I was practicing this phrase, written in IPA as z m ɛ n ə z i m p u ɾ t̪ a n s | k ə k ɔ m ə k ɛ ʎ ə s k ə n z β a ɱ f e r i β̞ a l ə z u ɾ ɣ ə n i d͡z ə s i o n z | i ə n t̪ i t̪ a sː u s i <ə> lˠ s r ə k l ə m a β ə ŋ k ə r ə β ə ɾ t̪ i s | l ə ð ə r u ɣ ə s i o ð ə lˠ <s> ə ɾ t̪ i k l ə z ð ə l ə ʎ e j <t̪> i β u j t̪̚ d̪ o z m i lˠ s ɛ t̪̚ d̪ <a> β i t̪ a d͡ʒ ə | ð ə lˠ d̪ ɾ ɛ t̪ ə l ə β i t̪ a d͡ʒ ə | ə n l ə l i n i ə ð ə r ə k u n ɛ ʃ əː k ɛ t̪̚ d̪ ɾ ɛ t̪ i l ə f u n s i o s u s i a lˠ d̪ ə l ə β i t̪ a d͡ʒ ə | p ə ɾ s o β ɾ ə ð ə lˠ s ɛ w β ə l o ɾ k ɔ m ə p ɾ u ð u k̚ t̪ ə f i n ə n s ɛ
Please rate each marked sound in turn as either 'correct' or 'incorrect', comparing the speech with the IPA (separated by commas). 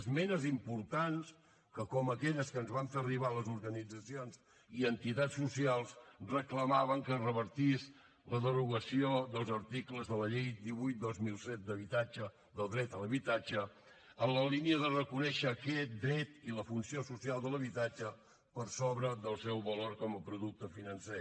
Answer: incorrect, incorrect, incorrect, incorrect